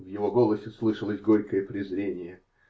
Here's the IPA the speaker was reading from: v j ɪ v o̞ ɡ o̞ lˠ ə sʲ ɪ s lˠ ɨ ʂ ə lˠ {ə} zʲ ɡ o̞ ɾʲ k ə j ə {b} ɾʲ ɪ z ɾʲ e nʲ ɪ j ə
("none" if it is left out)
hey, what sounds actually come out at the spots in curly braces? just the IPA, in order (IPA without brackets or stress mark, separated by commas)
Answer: ə, p